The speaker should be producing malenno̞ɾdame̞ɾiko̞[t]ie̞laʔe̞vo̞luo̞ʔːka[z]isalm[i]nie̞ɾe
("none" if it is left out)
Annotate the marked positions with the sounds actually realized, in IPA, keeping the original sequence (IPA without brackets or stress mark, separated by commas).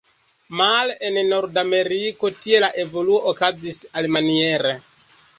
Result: t, z, a